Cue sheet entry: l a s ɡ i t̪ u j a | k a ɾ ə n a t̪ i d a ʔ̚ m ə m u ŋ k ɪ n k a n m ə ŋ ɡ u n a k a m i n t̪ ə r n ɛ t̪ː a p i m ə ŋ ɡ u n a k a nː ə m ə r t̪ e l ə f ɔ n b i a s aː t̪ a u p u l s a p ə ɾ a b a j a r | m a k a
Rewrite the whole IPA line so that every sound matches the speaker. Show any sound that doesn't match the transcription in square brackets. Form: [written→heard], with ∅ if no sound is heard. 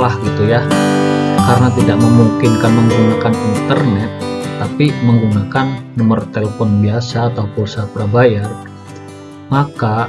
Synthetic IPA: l a [s→h] ɡ i t̪ u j a | k a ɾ ə n a t̪ i d a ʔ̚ m ə m u ŋ k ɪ n k a n m ə ŋ ɡ u n a k a [m→n] i n t̪ ə r n ɛ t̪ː a p i m ə ŋ ɡ u n a k a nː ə m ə r t̪ e l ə f ɔ n b i a s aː t̪ a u p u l s a p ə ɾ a b a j a r | m a k a